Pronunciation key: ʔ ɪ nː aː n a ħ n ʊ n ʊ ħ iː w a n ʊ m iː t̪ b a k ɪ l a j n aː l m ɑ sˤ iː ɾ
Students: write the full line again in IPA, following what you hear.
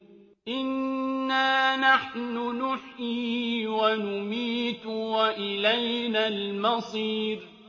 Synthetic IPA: ʔ ɪ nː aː n a ħ n ʊ n ʊ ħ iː w a n ʊ m iː t̪ w a ʔ ɪ l a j n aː l m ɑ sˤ iː ɾ